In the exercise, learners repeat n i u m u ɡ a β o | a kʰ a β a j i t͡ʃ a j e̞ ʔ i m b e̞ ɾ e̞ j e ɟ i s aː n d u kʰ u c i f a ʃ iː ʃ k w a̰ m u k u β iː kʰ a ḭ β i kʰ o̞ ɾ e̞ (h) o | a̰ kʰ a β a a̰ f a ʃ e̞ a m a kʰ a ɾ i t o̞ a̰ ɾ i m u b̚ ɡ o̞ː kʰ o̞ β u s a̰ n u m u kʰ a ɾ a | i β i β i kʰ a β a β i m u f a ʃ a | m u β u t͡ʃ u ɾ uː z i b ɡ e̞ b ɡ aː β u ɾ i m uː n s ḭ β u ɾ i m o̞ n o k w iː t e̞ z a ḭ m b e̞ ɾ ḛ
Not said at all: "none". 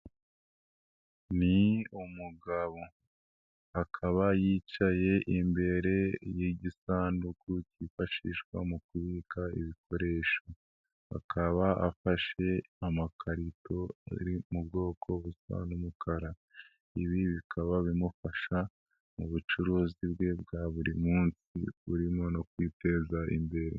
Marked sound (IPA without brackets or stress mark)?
ʃ